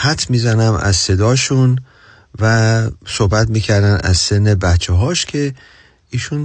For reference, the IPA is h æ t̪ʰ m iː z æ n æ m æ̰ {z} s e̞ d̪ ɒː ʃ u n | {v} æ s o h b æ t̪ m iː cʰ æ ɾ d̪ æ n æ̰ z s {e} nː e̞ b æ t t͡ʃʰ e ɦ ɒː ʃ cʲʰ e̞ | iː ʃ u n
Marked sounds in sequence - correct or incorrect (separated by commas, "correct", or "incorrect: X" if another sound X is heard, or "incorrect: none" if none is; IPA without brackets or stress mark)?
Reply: correct, correct, correct